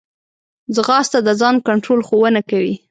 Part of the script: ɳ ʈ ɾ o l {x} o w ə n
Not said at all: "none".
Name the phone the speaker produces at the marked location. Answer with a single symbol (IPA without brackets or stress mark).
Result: x